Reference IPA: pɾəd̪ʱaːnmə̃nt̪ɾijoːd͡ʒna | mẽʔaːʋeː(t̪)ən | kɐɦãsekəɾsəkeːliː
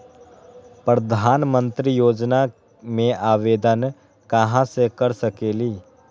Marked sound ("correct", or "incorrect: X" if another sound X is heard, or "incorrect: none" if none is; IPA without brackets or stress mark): incorrect: d̪